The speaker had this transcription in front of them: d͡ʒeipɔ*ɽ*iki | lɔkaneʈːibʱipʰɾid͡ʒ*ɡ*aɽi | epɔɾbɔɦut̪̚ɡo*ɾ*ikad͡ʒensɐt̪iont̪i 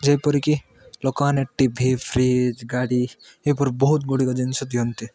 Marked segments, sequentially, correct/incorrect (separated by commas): incorrect, correct, incorrect